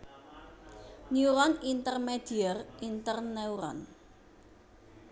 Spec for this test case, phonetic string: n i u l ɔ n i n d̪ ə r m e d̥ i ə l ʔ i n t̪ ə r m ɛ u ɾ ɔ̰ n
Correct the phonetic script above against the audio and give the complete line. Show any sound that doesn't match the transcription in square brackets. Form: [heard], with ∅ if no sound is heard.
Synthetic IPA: n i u [ɾ] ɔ n i n [t̪] ə r m e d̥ i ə [r] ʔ i n t̪ ə r [n] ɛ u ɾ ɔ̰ n